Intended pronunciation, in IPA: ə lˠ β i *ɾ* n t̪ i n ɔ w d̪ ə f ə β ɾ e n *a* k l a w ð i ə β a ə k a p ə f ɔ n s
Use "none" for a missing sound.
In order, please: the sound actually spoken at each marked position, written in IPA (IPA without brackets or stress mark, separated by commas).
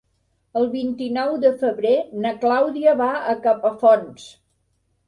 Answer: none, ə